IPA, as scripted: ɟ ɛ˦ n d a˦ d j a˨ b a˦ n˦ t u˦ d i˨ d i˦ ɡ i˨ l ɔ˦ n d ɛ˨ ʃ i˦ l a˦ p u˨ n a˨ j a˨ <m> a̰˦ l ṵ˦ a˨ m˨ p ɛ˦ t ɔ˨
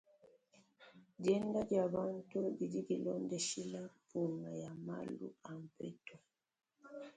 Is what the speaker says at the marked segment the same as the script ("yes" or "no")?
yes